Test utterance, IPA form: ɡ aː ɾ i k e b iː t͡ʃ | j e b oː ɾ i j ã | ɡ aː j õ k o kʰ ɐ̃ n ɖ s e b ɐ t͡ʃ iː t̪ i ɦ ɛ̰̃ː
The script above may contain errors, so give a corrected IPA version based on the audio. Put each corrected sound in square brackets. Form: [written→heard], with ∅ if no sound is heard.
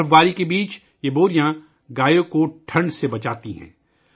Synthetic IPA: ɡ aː ɾ i k e b iː t͡ʃ | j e b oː ɾ i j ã | ɡ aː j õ k o [kʰ→ʈʰ] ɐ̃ [n→ɳ] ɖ s e b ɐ t͡ʃ [iː→aː] t̪ i ɦ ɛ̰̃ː